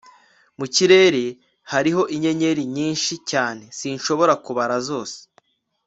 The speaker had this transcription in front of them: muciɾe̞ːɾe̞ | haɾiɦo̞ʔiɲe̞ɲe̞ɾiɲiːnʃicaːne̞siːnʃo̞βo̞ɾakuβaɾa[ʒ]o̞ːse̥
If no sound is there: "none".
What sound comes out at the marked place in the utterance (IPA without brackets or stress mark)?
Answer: z